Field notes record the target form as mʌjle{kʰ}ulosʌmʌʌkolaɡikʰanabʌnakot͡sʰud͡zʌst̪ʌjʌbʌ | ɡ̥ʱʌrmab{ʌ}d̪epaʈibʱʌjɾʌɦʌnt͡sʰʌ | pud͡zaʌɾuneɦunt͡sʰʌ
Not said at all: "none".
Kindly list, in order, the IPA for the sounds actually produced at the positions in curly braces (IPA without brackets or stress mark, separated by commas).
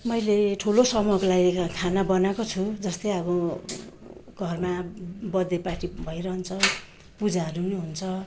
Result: ʈʰ, ʌ